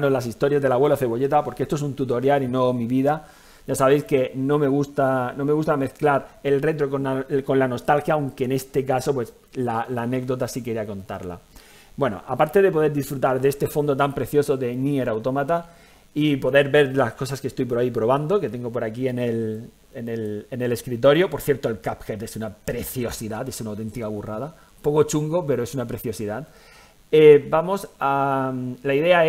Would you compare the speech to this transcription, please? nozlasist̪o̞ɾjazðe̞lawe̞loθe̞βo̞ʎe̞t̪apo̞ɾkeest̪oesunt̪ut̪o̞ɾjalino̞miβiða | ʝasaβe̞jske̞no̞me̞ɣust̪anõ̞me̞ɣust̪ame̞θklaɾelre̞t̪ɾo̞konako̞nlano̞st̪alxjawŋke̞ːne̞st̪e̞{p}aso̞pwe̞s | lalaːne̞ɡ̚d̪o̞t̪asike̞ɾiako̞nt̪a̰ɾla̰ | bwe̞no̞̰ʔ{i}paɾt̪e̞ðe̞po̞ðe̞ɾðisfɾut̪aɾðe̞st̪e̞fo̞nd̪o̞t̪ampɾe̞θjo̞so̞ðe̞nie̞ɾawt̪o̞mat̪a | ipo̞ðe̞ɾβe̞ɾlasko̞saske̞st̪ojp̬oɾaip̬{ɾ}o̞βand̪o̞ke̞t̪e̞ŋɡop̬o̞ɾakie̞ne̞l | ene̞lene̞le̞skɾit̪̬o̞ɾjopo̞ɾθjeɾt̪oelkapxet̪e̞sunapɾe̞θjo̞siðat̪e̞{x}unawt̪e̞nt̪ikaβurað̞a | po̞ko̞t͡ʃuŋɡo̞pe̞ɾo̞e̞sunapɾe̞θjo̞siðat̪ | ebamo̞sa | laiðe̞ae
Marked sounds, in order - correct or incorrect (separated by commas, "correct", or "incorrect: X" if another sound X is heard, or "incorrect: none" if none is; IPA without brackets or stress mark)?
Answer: incorrect: k, incorrect: a, correct, incorrect: s